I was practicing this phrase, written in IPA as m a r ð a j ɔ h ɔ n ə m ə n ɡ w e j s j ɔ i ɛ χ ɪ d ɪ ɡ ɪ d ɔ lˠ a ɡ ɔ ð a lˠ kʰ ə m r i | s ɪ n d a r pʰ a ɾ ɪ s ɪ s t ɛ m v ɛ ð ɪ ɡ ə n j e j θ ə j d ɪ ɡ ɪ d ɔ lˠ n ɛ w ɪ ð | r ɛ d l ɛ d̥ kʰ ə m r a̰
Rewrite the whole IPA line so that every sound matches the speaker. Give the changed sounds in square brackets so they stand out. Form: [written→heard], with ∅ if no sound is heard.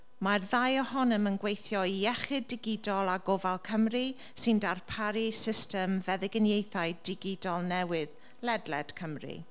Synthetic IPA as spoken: m a r ð a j ɔ h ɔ n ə m ə n ɡ w e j [s→θ] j ɔ i ɛ χ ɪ d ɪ ɡ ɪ d ɔ lˠ a ɡ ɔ [ð→v] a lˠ kʰ ə m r i | s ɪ n d a r pʰ a ɾ [ɪ→i] s ɪ s t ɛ m v ɛ ð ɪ ɡ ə n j e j θ [ə→a] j d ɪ ɡ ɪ d ɔ lˠ n ɛ w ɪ ð | [r→l] ɛ d l ɛ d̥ kʰ ə m r [a̰→ḭ]